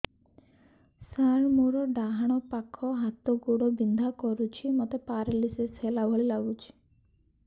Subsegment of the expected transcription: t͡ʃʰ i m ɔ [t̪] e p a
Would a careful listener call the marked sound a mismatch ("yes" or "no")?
no